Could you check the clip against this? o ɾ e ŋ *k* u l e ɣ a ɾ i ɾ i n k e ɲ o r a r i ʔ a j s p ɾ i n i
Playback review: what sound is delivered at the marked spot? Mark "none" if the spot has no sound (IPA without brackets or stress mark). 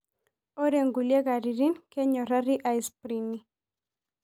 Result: ɡ